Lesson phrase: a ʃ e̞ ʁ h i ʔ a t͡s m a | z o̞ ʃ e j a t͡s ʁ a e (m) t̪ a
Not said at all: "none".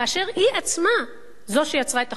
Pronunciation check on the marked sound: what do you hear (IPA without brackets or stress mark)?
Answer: none